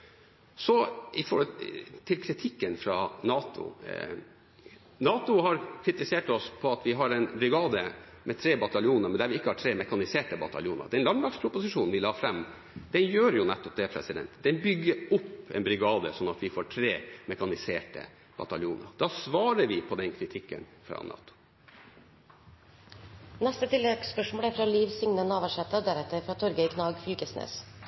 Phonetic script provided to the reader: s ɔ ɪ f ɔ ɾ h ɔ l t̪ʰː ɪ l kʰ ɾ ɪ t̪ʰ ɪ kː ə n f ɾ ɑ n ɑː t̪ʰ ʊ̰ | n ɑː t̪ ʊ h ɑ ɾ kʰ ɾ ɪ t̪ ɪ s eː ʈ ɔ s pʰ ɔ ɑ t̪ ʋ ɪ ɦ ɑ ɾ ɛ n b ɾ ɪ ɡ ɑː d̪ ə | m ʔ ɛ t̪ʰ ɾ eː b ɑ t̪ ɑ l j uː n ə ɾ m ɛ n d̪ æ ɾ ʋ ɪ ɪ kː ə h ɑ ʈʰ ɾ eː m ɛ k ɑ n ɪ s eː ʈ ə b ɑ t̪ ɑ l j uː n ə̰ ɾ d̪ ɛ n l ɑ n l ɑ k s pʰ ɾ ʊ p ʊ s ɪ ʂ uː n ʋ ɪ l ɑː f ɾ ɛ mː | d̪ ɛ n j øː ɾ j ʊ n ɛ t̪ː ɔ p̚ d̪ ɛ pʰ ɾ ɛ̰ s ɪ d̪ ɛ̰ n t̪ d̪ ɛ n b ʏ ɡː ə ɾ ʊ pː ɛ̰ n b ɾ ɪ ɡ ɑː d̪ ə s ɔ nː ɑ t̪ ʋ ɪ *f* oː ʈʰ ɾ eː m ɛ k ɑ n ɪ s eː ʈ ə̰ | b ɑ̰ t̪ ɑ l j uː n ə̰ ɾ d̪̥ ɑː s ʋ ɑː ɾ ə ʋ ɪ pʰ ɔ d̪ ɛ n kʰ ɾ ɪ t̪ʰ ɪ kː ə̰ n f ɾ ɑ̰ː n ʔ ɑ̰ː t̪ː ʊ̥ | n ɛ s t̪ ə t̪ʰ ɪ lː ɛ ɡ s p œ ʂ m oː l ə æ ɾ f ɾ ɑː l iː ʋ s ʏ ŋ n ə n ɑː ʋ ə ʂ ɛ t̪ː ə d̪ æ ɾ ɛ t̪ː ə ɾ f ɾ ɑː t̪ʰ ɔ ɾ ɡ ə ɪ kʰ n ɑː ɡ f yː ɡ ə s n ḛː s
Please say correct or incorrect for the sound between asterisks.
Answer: correct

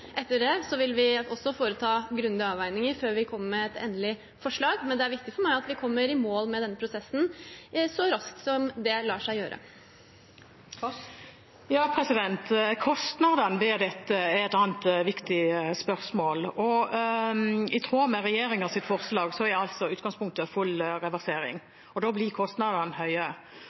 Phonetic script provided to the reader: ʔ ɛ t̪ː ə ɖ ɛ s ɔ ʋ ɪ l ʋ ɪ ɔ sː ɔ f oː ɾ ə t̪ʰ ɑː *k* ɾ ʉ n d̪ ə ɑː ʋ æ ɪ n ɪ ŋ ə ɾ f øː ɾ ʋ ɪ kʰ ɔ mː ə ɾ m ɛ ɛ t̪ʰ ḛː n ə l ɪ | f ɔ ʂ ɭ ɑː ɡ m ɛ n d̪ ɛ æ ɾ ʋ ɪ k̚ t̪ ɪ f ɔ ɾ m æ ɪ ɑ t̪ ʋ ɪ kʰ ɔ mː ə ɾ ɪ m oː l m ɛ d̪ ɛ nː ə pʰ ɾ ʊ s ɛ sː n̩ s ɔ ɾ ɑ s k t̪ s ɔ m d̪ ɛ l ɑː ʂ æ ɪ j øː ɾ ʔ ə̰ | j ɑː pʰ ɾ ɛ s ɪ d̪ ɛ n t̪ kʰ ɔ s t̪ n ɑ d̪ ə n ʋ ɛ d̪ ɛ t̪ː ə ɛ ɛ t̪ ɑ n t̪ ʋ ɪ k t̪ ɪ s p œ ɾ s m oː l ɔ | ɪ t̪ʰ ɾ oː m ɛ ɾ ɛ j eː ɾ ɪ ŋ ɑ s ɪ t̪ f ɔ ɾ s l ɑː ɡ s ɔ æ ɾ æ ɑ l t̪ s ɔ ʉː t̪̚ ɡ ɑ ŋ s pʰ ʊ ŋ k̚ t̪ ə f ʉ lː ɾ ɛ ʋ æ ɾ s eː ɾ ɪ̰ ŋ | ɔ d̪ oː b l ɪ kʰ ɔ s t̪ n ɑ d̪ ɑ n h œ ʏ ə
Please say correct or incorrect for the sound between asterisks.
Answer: incorrect: ɡ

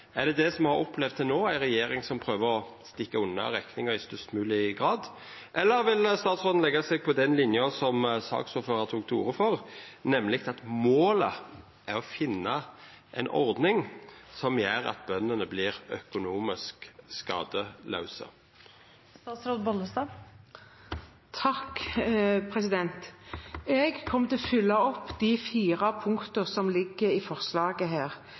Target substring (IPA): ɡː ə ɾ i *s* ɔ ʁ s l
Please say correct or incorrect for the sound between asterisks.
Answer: incorrect: f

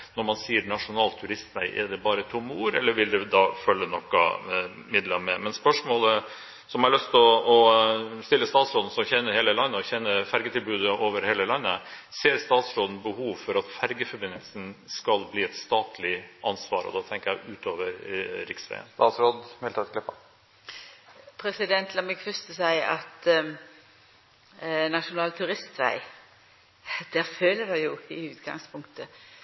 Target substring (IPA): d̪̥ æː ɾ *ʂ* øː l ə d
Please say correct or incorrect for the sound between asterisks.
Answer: incorrect: f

